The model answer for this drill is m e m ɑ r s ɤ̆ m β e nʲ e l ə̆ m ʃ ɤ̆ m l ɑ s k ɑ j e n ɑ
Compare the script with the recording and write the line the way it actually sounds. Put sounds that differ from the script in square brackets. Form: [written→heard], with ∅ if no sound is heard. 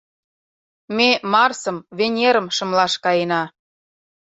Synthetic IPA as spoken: m e m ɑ r s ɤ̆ m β e nʲ e [l→ɾ] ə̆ m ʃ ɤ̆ m l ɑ [s→ʃ] k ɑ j e n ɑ